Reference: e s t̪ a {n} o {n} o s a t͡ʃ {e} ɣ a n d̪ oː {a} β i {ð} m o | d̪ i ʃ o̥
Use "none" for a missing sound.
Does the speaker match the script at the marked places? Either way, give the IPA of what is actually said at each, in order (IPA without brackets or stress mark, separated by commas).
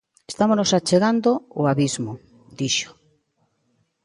m, n, e, a, z